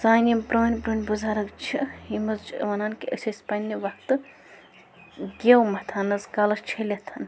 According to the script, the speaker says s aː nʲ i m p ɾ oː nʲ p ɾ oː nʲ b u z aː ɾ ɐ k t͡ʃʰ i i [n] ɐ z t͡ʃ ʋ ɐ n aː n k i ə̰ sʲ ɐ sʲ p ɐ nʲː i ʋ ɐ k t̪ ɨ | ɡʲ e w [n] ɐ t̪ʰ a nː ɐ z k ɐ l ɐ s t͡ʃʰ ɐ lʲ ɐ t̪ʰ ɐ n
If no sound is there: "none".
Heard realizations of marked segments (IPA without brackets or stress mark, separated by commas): m, m